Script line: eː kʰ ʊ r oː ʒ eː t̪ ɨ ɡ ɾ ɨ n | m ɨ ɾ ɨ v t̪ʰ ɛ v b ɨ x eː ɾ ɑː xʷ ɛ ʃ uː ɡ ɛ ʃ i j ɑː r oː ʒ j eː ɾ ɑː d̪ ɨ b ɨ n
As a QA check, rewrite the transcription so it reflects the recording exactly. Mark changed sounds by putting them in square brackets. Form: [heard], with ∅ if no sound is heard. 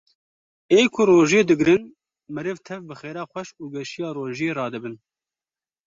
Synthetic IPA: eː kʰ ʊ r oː ʒ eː [d̪] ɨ ɡ ɾ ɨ n | m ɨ ɾ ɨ v t̪ʰ ɛ v b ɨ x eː ɾ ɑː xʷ ɛ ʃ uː ɡ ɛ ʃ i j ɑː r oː ʒ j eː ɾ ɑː d̪ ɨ b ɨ n